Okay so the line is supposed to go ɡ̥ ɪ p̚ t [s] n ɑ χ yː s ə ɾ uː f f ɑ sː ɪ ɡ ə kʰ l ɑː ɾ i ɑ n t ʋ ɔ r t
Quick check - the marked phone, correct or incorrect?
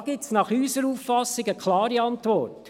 correct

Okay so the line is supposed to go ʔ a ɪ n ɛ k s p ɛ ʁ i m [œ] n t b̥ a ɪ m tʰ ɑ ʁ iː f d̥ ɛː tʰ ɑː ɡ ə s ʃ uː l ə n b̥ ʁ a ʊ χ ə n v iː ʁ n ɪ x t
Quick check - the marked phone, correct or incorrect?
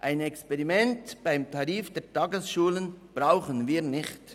incorrect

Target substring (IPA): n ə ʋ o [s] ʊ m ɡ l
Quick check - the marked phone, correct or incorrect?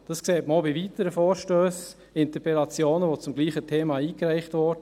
incorrect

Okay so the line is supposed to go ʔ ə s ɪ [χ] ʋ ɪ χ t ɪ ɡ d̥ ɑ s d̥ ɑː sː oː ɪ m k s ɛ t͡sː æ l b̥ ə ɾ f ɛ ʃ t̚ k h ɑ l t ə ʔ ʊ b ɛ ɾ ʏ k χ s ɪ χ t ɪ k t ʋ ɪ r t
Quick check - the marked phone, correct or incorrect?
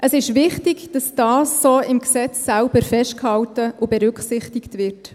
incorrect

